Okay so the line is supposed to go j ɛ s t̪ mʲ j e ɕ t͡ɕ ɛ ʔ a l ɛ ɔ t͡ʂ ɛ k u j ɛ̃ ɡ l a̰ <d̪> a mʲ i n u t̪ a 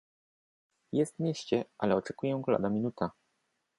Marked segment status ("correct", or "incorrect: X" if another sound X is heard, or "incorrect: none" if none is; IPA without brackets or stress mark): correct